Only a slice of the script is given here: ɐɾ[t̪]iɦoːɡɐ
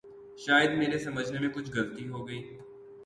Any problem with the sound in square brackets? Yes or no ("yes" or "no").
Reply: no